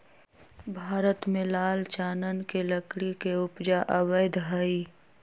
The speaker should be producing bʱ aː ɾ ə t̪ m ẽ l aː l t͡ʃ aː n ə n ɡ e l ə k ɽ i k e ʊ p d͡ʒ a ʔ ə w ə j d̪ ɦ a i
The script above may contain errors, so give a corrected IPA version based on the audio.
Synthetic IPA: bʱ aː ɾ ə t̪ m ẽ l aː l t͡ʃ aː n ə n k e l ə k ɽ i k e ʊ p d͡ʒ a ʔ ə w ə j d̪ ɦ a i

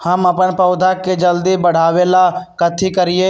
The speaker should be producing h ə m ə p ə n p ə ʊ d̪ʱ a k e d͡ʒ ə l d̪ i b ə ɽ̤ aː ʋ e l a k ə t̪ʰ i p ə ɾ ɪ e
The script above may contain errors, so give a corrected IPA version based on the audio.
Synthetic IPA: h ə m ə p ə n p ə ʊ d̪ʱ a k e d͡ʒ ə l d̪ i b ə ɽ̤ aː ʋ e l a k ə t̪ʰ i k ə ɾ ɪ e

